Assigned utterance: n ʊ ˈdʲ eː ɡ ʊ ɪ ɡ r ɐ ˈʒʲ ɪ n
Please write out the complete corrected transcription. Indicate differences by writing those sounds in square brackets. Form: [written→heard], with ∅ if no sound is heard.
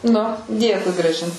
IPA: n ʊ ˈdʲ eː [ɡ→k] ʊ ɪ ɡ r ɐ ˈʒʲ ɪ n